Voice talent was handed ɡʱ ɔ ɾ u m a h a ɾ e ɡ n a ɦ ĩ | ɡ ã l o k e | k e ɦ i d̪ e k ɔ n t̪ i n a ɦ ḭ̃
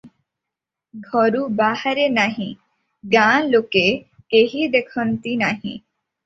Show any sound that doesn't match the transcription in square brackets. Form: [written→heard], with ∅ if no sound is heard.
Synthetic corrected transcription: ɡʱ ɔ ɾ u [m→b] a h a ɾ e [ɡ→∅] n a ɦ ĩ | ɡ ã l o k e | k e ɦ i d̪ e [k→kʰ] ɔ n t̪ i n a ɦ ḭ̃